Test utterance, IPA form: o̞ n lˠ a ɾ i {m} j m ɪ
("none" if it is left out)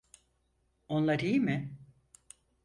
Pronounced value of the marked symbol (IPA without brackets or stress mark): none